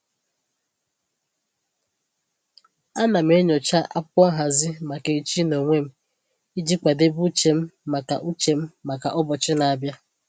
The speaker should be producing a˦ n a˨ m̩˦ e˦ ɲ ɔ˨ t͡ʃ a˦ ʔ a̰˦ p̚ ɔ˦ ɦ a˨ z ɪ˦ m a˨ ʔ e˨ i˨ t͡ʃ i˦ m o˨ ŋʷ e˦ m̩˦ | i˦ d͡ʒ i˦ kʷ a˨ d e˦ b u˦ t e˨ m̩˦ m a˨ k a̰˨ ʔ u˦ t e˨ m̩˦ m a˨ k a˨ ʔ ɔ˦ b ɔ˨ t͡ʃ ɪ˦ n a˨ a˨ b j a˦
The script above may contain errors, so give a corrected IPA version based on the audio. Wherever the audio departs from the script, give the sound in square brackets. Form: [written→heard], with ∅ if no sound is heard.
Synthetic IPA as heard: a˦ n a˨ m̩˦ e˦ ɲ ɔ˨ t͡ʃ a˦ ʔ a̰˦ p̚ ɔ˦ ɦ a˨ z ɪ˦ m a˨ [ʔ→k] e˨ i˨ t͡ʃ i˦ [m→n] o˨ ŋʷ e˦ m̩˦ | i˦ d͡ʒ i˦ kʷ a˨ d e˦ b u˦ [t→t͡ʃ] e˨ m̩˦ m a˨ k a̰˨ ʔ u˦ [t→t͡ʃ] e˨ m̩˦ m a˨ k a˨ ʔ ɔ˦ b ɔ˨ t͡ʃ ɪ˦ n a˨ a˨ b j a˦